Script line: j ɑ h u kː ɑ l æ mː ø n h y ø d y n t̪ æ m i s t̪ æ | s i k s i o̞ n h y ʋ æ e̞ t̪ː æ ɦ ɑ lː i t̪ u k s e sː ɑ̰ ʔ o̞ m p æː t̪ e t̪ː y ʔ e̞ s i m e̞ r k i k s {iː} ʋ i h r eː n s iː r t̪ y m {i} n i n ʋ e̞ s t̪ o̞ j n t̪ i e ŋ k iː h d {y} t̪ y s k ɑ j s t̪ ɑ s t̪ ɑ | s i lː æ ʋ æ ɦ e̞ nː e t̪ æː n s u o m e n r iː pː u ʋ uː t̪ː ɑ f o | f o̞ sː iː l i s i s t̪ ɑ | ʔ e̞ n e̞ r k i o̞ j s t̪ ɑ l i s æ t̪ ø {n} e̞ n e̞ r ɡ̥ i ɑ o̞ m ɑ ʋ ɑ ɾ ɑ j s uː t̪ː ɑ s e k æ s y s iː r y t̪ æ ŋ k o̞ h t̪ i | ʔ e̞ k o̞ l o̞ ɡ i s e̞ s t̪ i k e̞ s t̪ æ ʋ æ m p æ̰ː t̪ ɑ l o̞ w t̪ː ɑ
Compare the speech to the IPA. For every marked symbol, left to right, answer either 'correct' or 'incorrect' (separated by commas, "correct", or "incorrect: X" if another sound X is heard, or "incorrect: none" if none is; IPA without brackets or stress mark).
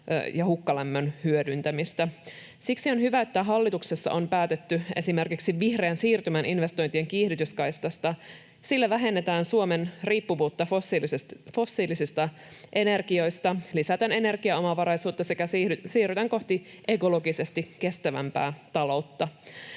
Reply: incorrect: i, incorrect: æ, correct, correct